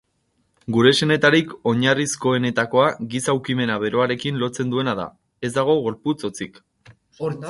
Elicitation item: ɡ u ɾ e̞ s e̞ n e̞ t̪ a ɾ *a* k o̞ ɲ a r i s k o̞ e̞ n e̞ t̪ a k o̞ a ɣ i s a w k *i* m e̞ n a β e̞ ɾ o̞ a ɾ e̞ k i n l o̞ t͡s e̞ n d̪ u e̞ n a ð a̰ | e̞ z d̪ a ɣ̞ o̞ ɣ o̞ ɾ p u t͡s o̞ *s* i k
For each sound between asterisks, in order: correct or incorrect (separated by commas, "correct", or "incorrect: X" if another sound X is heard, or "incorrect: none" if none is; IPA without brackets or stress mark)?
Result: incorrect: i, correct, incorrect: t͡s